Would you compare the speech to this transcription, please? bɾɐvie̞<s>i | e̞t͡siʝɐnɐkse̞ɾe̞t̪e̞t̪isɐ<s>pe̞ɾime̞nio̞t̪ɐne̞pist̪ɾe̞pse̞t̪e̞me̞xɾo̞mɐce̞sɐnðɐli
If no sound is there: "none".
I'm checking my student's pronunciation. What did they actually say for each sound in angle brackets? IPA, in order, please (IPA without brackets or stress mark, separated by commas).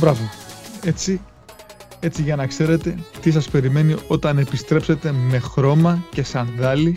t͡s, s